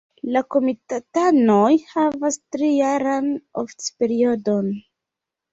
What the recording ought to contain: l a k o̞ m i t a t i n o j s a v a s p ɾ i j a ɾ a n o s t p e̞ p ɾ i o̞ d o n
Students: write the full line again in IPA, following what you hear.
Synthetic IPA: l a k o̞ m i t a t a n o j h a v a s t ɾ i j a ɾ a n o f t p e̞ ɾ i o̞ d o n